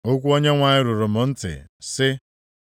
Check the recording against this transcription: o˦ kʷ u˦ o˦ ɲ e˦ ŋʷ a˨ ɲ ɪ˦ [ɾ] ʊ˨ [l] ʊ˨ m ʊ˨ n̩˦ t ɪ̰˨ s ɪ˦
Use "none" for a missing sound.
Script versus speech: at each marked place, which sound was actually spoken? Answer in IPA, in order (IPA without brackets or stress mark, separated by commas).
ɾ, ɾ